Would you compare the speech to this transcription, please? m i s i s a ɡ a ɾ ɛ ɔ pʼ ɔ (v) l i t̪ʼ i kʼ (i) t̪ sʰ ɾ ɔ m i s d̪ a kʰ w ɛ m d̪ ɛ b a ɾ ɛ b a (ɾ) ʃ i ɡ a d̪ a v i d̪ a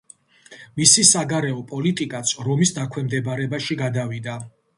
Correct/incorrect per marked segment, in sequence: incorrect, incorrect, incorrect

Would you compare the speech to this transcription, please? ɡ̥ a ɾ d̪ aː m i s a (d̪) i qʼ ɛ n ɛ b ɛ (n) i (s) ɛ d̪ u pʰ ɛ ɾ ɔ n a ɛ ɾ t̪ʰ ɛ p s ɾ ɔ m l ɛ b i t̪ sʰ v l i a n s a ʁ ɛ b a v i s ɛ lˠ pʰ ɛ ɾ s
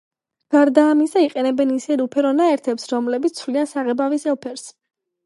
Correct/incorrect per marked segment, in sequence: incorrect, correct, correct

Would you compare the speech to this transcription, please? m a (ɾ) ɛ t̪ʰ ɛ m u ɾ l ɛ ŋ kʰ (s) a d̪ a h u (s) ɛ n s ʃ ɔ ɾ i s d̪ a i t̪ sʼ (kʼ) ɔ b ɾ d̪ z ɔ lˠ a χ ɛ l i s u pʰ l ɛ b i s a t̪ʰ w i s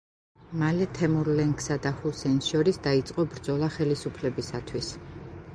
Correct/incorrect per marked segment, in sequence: incorrect, correct, correct, incorrect

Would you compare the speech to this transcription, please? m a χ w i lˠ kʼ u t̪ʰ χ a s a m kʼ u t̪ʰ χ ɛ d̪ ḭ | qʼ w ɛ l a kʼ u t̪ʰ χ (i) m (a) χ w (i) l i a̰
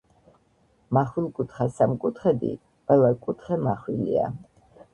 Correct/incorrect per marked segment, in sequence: incorrect, correct, correct

